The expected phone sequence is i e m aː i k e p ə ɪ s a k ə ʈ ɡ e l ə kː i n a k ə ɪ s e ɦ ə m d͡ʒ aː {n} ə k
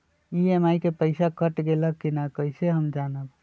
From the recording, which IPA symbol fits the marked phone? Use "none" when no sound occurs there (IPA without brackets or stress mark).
n